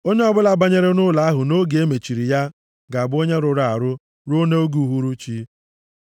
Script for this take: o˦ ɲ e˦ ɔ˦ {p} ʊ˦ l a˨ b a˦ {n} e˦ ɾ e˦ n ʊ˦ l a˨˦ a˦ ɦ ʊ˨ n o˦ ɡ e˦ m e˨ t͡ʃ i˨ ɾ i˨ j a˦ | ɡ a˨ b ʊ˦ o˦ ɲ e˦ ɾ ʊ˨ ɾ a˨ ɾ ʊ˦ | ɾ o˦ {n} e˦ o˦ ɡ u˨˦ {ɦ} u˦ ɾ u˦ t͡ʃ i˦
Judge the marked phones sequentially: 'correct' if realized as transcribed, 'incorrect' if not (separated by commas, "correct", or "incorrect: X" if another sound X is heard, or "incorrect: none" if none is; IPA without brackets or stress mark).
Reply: incorrect: b, incorrect: ɲ, correct, correct